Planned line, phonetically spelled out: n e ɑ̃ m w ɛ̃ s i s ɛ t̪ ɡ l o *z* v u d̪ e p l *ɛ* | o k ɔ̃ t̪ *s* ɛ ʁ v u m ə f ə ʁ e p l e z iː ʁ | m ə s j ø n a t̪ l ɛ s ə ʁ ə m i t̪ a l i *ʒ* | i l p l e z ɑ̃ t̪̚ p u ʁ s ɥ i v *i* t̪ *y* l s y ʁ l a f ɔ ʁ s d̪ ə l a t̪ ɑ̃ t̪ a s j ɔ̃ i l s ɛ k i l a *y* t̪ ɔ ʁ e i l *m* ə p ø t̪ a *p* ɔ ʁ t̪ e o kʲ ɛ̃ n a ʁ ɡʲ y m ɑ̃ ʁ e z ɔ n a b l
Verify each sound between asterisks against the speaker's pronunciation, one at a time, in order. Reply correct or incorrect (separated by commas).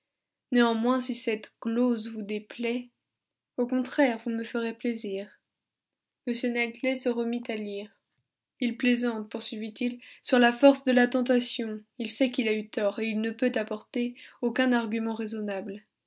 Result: correct, correct, incorrect, incorrect, correct, incorrect, correct, incorrect, correct